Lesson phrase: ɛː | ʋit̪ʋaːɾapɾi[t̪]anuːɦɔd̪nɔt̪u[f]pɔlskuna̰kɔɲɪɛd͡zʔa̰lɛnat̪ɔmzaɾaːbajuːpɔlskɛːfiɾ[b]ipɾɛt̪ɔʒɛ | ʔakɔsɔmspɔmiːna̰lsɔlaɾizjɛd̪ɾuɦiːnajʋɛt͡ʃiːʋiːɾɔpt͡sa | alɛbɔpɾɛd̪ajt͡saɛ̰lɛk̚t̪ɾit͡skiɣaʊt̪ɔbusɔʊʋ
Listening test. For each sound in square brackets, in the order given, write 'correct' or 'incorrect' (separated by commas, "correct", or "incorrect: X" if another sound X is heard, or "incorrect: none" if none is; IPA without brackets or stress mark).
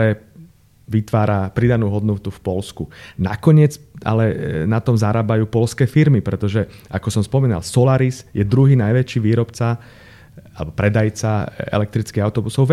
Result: incorrect: d̪, correct, incorrect: m